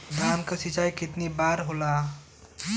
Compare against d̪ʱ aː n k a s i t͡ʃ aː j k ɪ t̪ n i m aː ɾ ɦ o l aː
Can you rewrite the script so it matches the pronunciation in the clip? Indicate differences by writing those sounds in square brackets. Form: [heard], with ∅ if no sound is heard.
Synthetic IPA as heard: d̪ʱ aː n k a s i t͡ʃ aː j k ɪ t̪ n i [b] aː ɾ ɦ o l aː